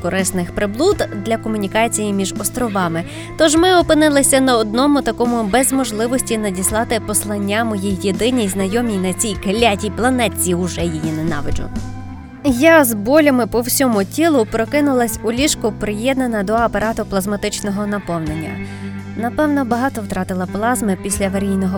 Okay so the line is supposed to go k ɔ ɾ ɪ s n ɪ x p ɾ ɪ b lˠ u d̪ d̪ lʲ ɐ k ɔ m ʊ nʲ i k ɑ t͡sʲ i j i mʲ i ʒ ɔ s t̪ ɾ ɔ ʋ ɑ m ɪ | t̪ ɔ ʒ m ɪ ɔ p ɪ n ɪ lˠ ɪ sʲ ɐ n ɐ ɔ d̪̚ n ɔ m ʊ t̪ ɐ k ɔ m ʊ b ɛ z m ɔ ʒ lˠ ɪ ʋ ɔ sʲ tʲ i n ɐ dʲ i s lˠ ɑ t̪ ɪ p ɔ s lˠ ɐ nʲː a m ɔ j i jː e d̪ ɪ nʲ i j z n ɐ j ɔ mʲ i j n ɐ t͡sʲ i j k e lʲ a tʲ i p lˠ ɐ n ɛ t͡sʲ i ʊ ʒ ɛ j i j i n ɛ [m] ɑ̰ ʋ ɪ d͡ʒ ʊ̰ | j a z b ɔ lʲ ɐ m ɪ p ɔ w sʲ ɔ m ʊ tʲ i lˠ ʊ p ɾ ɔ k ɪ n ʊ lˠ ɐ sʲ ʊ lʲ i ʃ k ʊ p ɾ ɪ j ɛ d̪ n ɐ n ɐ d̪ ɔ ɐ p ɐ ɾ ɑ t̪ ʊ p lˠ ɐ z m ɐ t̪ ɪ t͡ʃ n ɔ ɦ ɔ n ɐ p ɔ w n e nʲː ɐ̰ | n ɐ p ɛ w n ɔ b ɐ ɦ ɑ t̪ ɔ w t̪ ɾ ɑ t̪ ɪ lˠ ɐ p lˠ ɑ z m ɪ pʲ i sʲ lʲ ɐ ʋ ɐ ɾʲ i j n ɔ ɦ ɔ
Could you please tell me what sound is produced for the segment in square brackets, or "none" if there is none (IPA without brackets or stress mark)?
n